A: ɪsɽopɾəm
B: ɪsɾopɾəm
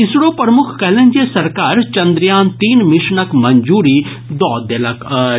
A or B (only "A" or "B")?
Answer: A